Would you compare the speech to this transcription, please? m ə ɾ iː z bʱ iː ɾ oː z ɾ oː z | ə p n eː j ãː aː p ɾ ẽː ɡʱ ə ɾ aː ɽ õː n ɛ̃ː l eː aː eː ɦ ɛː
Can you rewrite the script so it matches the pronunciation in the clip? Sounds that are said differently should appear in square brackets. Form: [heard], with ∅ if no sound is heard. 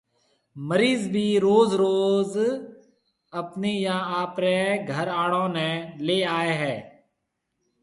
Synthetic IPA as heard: m ə ɾ iː z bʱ iː ɾ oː z ɾ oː z | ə p n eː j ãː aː p ɾ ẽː ɡʱ ə ɾ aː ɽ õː n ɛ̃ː l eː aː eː ɦ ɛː